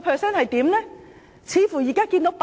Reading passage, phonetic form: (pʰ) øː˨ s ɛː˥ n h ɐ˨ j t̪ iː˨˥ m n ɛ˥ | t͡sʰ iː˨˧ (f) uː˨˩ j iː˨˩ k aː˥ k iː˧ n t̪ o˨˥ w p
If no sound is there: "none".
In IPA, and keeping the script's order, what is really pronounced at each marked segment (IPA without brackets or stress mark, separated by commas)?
pʰ, f